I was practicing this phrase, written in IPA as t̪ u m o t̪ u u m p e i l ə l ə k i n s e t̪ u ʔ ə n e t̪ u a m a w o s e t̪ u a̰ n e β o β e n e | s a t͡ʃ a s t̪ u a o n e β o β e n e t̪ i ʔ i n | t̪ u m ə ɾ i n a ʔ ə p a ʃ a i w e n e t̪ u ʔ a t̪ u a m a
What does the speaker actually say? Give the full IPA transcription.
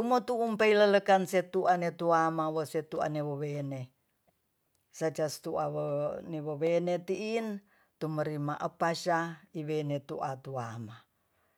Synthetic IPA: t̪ u m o t̪ u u m p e i l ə l ə k a n s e t̪ u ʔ a n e t̪ u a m a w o s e t̪ u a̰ n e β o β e n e | s a t͡ʃ a s t̪ u a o n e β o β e n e t̪ i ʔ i n | t̪ u m ə ɾ i m a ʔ ə p a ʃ a i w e n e t̪ u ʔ a t̪ u a m a